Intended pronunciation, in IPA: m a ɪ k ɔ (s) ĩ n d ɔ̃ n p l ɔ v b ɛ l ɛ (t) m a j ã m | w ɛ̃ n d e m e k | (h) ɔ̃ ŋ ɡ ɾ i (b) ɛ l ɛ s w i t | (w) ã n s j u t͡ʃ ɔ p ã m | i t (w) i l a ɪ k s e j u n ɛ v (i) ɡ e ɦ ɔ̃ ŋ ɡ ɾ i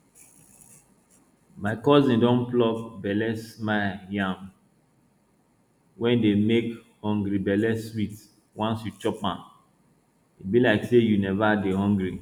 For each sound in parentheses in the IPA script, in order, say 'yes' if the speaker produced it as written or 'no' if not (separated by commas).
no, no, yes, yes, yes, no, no